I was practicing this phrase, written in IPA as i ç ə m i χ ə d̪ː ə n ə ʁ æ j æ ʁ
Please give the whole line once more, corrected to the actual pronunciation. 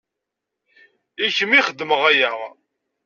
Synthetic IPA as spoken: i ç ə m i χ ə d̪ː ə m ə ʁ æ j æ ʁ

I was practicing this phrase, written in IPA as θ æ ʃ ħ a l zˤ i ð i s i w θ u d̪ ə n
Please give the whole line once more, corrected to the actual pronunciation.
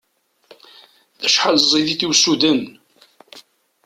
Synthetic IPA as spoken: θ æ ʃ ħ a l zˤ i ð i θ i w s u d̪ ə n

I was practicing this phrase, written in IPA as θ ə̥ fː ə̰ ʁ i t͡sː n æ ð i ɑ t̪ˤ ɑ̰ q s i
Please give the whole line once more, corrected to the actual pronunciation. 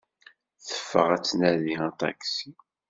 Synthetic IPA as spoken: θ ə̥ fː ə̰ ʁ æ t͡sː n æ ð i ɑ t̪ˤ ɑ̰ k s i

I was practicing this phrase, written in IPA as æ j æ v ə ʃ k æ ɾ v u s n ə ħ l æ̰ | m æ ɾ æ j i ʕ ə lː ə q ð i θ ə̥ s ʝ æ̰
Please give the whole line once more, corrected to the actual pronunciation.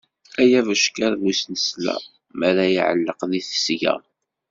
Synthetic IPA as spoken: æ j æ v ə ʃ k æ ɾ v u s n ə s l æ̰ | m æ ɾ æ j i ʕ ə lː ə q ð i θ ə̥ s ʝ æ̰

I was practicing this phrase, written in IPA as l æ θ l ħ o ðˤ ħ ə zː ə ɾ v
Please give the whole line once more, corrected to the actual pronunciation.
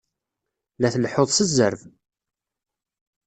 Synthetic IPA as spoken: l æ θ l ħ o ðˤ s ə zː ə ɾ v

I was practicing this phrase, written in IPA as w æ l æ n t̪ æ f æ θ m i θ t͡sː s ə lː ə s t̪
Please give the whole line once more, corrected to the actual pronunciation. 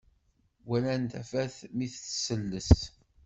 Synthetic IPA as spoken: w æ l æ n t̪ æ f æ θ m i θ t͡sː s ə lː ə s t̪

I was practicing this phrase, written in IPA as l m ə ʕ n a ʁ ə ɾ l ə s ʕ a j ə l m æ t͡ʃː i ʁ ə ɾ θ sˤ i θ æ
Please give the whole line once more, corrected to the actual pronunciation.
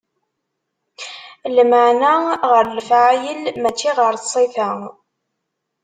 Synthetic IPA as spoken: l m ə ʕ n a ʁ ə ɾ l ə f ʕ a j ə l m æ t͡ʃː i ʁ ə ɾ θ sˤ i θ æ

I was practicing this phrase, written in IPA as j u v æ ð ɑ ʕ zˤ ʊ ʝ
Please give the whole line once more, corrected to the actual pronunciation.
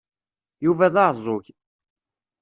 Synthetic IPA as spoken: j u v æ ð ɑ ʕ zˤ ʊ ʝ

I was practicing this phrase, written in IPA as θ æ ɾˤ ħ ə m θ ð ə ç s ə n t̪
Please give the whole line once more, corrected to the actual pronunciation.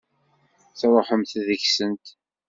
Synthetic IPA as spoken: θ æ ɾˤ ħ ə m θ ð ə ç s ə n t̪

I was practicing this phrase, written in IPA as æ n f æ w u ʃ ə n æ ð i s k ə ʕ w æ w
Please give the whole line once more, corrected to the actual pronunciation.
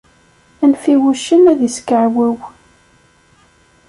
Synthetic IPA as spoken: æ n f i w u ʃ ə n æ ð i s k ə ʕ w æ w

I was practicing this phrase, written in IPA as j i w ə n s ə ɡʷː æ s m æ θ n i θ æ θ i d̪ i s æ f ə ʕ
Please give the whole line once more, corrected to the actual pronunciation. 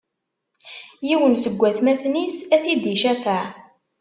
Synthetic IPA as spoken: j i w ə n s ə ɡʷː æ θ m æ θ n i s æ θ i d̪ i ʃ æ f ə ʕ

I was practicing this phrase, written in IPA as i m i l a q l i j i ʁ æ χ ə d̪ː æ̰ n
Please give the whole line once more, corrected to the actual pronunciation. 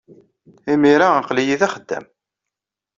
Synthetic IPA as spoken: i m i ɾ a q l i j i ð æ χ ə d̪ː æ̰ m

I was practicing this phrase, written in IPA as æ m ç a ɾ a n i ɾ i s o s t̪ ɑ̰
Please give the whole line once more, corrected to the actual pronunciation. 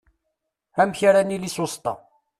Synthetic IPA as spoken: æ m ç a ɾ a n i l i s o s t̪ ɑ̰

